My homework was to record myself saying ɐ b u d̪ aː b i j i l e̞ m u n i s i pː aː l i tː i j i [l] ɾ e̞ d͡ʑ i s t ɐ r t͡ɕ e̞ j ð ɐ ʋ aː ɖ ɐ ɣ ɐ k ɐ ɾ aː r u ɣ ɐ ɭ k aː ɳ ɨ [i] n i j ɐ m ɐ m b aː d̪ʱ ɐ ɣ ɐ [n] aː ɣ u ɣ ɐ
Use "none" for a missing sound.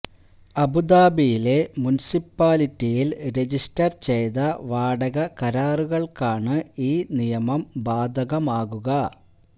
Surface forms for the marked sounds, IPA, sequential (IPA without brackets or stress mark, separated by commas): l, iː, m